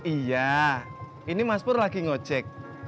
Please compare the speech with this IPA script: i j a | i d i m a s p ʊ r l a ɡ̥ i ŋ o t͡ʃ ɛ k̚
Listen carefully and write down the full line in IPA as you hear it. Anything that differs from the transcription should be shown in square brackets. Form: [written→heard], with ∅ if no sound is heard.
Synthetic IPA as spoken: i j a | i [d→n] i m a s p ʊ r l a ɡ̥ i ŋ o t͡ʃ ɛ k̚